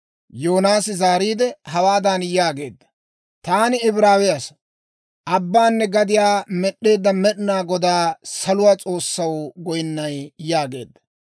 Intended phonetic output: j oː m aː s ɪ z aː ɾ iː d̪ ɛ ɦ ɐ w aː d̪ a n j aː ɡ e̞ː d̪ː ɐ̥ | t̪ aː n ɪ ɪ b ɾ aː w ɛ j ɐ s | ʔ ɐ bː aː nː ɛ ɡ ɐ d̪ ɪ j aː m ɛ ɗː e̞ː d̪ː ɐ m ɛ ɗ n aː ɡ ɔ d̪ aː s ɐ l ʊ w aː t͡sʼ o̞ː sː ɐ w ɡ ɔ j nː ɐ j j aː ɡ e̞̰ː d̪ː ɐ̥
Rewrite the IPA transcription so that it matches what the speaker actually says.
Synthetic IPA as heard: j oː n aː s ɪ z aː ɾ iː d̪ ɛ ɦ ɐ w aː d̪ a n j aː ɡ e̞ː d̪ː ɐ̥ | t̪ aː n ɪ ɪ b ɾ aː w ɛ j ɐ s | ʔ ɐ bː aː nː ɛ ɡ ɐ d̪ ɪ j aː m ɛ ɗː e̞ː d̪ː ɐ m ɛ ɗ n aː ɡ ɔ d̪ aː s ɐ l ʊ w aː t͡sʼ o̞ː sː ɐ w ɡ ɔ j nː ɐ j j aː ɡ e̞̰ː d̪ː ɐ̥